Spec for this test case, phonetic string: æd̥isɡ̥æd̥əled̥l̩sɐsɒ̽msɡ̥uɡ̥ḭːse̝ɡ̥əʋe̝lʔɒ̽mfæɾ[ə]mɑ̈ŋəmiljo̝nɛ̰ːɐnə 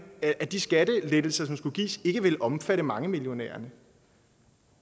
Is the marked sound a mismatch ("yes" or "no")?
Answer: no